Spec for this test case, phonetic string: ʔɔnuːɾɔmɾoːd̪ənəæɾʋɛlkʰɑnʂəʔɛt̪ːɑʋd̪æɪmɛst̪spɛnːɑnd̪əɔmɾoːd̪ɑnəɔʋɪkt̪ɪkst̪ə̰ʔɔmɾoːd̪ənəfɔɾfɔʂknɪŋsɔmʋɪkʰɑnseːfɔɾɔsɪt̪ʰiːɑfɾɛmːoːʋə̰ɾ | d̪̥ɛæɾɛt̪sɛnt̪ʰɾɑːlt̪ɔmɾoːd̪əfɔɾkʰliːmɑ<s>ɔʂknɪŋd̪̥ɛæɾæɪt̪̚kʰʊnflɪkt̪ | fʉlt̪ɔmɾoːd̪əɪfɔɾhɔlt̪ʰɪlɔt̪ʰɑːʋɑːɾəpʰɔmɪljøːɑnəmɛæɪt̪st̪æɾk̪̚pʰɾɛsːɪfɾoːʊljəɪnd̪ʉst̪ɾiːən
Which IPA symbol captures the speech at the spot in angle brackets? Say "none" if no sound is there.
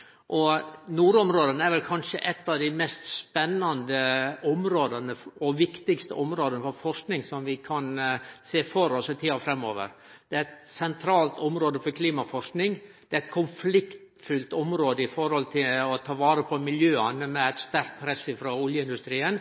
f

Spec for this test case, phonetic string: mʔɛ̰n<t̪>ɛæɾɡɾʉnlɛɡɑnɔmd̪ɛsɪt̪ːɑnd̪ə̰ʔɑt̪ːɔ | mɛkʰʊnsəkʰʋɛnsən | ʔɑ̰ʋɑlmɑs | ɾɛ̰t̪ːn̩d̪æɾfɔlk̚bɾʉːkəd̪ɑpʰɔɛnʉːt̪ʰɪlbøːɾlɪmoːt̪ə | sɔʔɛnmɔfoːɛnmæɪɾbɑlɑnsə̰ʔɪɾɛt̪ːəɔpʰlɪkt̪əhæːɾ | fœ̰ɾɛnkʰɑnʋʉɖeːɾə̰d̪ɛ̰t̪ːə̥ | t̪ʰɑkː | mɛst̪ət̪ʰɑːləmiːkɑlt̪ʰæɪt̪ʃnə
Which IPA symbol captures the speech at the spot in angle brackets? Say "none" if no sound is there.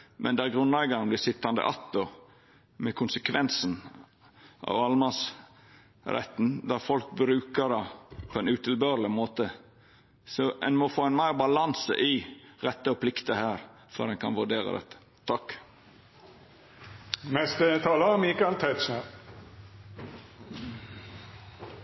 d̪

